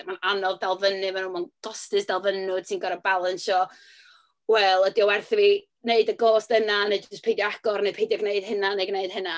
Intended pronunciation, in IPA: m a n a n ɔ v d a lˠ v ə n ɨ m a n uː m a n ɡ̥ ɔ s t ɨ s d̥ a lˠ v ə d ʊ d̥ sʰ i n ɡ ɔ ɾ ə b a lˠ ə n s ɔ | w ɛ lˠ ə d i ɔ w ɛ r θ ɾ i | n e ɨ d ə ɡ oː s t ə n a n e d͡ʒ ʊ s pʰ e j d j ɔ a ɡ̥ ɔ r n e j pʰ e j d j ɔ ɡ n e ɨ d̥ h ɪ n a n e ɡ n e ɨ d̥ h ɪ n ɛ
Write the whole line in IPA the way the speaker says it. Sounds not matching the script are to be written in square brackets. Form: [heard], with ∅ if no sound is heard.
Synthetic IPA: m a n a n ɔ v d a lˠ v ə n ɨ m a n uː m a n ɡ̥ ɔ s t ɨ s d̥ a lˠ v ə [n] ʊ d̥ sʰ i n ɡ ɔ ɾ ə b a lˠ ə n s ɔ | w ɛ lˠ ə d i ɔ w ɛ r θ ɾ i | n e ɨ d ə ɡ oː s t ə n a n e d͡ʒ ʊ s pʰ e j d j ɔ a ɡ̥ ɔ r n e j pʰ e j d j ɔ ɡ n e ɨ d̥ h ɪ n a n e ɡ n e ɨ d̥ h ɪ n [a]